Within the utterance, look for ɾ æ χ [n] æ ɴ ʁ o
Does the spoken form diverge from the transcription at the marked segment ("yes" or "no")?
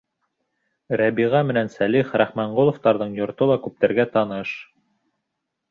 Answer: yes